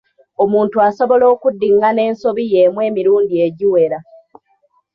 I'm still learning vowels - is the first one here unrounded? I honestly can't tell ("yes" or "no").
no